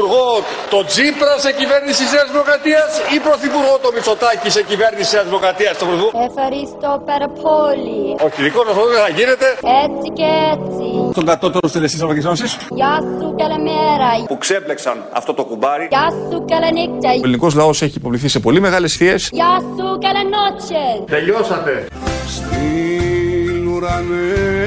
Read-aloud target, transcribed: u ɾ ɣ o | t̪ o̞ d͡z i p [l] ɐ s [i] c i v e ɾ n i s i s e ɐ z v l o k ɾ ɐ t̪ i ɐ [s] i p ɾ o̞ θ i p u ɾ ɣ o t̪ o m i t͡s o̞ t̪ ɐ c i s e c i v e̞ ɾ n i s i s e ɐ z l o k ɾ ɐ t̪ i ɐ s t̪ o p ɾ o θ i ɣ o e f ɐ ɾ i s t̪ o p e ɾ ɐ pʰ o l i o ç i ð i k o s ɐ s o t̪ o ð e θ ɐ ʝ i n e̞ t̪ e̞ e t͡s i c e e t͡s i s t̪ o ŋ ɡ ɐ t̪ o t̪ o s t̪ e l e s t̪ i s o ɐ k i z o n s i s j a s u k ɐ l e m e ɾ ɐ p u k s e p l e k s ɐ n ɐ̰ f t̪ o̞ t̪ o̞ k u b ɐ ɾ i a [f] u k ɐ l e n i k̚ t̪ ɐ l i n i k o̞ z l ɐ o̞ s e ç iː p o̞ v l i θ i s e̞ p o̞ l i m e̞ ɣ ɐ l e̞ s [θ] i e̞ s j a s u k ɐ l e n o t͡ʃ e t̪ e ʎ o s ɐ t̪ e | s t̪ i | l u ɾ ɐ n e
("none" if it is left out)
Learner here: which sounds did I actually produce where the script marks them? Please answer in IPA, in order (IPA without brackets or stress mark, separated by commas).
ɾ, e, s, s, θ